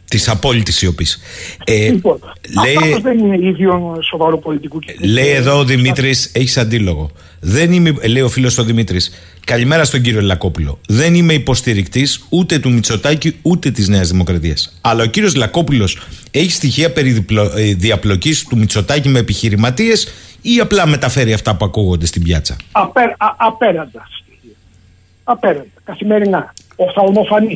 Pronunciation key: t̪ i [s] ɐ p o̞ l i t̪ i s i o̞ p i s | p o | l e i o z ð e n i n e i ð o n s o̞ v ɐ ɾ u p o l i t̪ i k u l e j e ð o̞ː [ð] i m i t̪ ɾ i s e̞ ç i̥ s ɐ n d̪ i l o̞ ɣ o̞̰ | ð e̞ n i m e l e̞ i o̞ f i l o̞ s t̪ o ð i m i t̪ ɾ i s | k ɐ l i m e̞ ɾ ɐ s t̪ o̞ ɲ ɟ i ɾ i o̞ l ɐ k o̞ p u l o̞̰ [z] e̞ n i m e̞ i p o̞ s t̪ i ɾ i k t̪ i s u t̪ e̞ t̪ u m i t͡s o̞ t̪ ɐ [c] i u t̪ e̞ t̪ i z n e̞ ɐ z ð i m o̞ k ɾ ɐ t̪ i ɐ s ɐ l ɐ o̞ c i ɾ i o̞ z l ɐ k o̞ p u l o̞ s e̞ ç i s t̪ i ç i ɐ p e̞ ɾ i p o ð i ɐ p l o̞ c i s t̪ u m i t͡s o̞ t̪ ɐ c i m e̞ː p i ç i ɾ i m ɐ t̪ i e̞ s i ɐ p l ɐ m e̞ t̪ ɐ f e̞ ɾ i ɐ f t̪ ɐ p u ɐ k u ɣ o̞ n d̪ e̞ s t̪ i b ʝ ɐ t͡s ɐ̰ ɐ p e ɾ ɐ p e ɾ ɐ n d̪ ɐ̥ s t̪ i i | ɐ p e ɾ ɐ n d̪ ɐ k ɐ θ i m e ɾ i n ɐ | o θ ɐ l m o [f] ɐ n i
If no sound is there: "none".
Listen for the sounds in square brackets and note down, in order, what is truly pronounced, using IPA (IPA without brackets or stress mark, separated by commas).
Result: s, ð, ð, c, f